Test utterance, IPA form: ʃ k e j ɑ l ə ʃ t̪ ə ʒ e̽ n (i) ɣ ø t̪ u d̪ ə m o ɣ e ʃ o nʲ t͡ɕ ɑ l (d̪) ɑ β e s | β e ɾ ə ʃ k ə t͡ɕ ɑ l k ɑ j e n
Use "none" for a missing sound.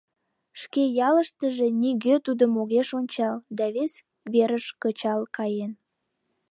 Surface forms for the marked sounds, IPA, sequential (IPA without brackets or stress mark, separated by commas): i, d̪